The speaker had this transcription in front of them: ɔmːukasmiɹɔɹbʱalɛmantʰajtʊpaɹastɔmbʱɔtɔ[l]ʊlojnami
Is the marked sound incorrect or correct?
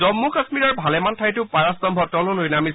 correct